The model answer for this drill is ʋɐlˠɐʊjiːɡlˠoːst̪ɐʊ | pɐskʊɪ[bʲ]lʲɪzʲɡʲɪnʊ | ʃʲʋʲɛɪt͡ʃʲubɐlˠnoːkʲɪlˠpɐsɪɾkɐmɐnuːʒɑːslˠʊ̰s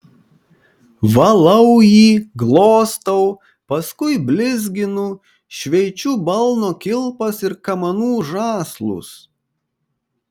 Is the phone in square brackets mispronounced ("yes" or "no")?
no